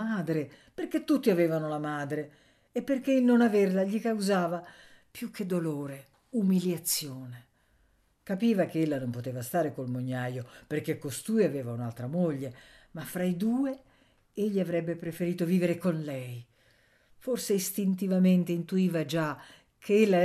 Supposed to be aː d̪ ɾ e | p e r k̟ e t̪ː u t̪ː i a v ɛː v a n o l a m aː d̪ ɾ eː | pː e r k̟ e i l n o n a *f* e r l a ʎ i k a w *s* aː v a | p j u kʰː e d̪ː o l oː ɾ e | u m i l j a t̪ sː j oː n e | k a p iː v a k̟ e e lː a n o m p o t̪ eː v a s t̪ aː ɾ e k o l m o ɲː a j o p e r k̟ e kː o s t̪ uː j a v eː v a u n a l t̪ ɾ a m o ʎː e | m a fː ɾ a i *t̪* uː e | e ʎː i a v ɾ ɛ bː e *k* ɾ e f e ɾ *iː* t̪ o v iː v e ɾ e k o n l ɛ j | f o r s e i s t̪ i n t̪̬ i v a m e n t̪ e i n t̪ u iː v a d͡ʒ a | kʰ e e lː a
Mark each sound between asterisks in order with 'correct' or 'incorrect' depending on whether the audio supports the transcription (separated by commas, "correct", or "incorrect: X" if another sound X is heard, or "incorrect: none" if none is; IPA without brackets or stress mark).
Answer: incorrect: v, incorrect: z, incorrect: d̪, incorrect: p, correct